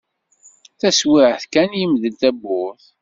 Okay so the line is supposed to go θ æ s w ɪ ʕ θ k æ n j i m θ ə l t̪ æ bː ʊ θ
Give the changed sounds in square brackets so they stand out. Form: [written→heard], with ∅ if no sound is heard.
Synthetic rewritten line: θ æ s w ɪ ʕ θ k æ n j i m [θ→ð] ə l t̪ æ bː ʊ θ